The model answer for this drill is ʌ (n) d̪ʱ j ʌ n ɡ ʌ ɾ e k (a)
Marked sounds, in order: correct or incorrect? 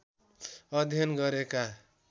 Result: incorrect: none, correct

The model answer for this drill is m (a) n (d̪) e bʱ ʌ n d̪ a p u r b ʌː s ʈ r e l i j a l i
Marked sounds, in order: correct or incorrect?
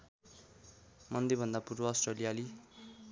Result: incorrect: ʌ, correct

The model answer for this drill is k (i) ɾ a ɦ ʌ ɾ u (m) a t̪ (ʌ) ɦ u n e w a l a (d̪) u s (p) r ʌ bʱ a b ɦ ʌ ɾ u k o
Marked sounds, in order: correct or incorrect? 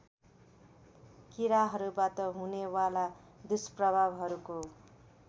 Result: correct, incorrect: b, correct, correct, correct

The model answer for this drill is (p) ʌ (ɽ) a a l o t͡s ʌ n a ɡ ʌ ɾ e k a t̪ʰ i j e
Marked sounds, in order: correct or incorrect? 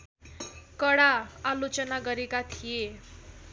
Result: incorrect: k, correct

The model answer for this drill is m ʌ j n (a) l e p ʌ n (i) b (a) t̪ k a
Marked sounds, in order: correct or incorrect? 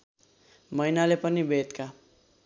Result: correct, correct, incorrect: e

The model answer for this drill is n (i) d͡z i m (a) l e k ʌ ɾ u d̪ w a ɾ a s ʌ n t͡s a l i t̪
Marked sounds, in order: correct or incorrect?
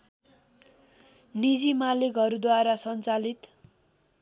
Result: correct, correct

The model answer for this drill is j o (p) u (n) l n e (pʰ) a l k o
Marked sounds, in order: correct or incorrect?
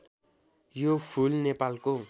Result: incorrect: pʰ, incorrect: none, incorrect: p

